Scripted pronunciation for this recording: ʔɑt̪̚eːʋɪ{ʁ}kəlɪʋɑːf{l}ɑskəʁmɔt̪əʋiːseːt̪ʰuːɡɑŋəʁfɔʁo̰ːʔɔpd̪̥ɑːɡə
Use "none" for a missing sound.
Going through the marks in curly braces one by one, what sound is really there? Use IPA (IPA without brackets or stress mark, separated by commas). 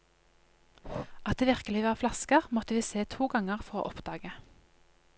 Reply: ʁ, l